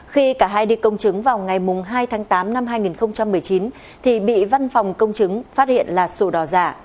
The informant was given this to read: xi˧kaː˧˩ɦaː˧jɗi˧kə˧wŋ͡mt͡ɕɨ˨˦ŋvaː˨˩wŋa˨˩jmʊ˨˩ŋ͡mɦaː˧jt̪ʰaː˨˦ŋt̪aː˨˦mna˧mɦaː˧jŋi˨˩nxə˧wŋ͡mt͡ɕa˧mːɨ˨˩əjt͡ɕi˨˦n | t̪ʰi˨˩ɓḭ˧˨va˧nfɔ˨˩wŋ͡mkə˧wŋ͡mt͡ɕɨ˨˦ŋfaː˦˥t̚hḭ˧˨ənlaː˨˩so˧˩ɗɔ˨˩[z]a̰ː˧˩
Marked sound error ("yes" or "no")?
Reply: no